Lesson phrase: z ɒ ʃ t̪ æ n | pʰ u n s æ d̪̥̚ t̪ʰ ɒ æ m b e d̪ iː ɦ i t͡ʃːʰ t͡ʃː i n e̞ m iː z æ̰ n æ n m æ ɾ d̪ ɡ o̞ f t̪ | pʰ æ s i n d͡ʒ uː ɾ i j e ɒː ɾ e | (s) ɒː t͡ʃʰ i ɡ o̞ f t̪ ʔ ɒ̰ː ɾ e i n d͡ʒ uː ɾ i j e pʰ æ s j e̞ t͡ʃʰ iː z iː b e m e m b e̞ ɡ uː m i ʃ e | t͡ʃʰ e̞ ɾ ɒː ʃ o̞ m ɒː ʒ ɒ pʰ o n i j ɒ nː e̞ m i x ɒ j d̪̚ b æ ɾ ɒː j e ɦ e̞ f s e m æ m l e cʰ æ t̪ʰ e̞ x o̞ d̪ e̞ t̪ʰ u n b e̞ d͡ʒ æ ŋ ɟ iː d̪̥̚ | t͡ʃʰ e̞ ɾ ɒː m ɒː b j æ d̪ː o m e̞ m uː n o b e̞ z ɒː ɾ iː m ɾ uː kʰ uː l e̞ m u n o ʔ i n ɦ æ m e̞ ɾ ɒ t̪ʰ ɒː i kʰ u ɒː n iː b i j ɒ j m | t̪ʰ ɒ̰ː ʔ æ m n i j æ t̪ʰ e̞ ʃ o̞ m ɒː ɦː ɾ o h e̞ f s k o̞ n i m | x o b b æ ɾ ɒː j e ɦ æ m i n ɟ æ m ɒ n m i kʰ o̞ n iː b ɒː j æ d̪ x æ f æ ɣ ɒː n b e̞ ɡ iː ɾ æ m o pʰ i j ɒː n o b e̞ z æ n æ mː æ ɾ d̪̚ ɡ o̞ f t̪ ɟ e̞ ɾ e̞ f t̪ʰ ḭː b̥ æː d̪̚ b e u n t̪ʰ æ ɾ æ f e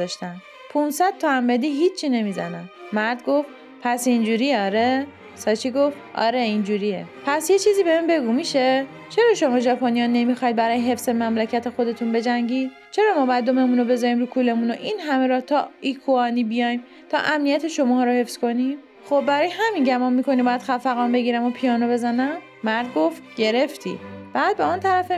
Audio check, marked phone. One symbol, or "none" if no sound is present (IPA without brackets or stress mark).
s